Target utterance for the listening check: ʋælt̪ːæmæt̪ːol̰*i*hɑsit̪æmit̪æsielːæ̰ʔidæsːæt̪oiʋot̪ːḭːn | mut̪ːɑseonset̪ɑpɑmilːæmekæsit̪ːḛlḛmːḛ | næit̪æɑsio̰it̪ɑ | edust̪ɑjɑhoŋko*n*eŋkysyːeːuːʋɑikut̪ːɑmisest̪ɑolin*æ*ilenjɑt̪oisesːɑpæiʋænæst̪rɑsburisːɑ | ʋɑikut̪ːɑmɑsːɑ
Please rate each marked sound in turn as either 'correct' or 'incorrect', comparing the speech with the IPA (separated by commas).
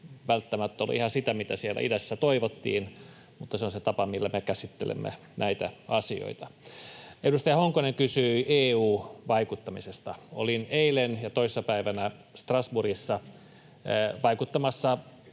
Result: correct, correct, incorrect